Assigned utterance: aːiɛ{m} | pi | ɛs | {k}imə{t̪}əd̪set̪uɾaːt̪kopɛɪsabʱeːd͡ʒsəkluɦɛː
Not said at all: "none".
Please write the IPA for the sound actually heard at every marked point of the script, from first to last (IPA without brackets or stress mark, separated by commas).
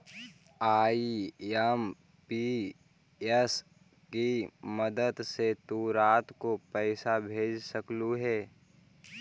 m, k, d̪